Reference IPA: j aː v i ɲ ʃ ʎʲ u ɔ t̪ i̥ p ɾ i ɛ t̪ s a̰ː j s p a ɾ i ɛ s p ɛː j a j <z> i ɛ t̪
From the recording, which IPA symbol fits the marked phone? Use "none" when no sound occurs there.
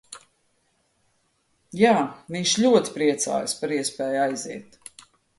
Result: z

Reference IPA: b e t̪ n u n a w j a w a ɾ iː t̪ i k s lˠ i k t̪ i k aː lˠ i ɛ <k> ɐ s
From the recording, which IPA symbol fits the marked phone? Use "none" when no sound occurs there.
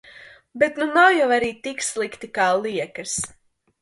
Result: k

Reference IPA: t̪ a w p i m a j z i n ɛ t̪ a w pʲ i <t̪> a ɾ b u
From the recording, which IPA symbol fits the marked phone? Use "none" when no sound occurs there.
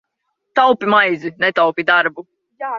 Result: d̪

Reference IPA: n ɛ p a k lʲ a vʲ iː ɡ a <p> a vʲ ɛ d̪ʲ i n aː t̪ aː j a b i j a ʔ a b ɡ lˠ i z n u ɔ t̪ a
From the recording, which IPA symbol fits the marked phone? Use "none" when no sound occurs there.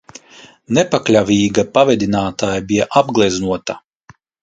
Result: p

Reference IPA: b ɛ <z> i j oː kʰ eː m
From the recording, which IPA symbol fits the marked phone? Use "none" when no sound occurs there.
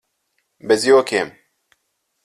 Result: z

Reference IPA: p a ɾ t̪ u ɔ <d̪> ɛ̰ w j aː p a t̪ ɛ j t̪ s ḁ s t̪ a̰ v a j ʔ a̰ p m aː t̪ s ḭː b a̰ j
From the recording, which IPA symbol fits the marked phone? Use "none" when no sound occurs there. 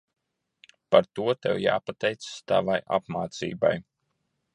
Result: t̪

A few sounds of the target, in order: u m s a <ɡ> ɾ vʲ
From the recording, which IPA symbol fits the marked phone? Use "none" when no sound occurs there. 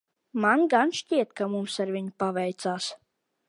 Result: none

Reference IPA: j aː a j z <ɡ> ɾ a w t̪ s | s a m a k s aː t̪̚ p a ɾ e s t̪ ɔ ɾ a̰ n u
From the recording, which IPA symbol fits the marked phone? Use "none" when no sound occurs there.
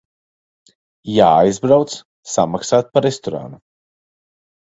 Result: b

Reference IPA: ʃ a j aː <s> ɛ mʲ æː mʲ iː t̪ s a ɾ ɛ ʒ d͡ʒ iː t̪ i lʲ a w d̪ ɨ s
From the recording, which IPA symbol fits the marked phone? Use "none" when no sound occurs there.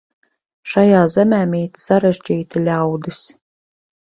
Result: z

